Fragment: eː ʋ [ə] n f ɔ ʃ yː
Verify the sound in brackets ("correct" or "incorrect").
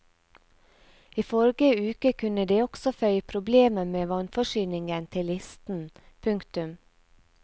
incorrect